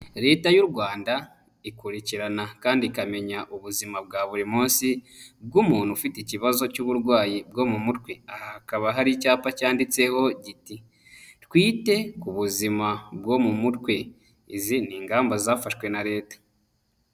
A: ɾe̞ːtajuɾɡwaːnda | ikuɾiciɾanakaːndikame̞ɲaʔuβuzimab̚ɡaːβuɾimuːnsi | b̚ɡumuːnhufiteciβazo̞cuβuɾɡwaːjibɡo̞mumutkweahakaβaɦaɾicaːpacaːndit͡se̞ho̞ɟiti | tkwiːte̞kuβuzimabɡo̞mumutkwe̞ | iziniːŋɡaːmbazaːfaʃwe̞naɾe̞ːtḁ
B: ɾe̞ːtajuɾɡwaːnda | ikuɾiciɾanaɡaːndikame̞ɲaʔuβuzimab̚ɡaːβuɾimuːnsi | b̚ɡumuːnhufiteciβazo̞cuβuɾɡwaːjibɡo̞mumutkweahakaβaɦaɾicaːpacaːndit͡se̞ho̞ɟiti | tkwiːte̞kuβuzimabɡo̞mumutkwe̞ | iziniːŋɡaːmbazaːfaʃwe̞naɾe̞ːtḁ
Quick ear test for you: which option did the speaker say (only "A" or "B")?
A